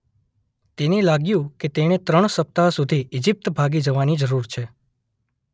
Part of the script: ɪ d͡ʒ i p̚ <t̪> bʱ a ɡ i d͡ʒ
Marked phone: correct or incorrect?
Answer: correct